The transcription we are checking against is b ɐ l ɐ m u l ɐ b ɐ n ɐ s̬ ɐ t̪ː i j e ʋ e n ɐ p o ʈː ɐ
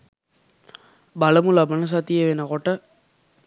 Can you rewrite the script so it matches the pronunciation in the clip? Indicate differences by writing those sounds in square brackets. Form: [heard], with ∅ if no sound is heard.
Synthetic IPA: b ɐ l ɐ m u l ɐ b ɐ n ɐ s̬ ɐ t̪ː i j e ʋ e n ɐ [k] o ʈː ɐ